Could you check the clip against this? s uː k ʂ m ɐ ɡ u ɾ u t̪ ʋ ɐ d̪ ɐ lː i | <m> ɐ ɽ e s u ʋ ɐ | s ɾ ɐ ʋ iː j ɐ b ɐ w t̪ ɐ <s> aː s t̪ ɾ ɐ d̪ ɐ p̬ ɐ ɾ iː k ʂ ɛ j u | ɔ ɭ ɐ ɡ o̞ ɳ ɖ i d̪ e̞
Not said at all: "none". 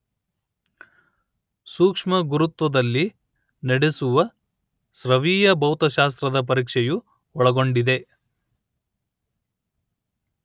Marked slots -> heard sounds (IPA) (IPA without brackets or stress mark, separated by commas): n, ʃ